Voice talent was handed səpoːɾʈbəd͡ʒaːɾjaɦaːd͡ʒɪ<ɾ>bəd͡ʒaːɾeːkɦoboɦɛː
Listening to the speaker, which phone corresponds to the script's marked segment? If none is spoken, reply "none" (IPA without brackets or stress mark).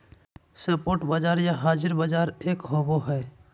ɾ